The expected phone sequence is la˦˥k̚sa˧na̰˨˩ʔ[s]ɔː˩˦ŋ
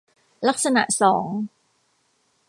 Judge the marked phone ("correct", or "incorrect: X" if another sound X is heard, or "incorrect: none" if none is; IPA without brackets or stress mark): correct